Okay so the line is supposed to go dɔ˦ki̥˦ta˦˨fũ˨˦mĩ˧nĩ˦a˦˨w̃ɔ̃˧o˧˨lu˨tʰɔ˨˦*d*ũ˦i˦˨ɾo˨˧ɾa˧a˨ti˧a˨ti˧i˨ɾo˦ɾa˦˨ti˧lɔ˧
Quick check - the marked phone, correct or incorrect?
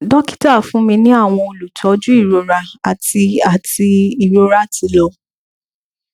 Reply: incorrect